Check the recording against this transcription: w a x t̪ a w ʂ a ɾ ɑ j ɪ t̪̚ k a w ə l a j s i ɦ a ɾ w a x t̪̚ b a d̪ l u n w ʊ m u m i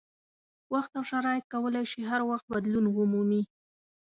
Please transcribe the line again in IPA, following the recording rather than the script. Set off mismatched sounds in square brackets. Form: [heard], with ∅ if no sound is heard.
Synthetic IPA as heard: w a x t̪ a w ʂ a ɾ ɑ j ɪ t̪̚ k a w ə l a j [ʃ] i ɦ a ɾ w a x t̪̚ b a d̪ l u n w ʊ m u m i